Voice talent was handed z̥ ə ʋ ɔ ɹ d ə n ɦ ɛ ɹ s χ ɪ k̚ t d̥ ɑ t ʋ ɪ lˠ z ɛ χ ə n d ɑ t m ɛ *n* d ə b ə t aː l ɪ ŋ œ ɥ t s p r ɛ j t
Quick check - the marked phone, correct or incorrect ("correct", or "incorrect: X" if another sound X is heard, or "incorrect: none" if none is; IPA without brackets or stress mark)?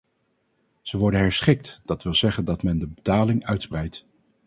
correct